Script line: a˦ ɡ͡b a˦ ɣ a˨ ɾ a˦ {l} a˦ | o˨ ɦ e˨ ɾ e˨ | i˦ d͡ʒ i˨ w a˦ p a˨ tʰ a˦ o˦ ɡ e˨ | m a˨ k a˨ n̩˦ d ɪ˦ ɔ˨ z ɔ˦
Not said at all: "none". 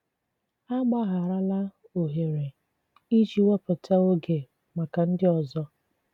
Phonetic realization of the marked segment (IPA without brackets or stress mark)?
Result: l